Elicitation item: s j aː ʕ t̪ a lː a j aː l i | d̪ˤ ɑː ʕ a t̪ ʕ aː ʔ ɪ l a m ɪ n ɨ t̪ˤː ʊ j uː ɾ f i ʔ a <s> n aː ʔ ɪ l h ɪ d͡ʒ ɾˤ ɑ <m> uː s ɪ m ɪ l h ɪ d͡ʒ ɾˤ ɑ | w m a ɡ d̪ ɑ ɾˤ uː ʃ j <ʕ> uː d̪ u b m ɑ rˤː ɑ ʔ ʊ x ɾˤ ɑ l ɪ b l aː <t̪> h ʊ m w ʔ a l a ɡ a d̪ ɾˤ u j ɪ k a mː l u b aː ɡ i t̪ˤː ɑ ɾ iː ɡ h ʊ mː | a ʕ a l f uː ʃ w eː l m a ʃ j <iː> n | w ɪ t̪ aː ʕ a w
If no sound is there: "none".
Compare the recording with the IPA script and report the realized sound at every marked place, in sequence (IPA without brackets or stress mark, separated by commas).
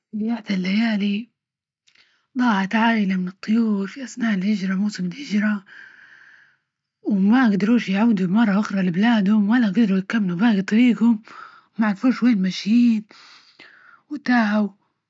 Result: s, m, ʕ, d̪, iː